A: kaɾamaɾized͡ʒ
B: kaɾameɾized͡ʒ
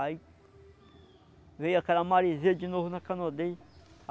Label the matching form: A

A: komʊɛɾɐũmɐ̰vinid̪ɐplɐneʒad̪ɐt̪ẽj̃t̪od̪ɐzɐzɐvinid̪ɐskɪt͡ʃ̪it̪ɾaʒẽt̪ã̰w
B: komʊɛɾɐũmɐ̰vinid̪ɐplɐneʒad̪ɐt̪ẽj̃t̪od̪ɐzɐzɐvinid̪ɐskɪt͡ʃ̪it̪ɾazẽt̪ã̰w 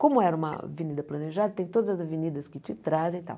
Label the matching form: B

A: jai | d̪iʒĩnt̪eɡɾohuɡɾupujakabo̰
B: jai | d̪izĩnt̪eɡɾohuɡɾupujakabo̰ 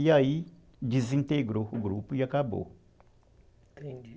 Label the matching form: B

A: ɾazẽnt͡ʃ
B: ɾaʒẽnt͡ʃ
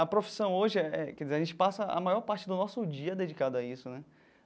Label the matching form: B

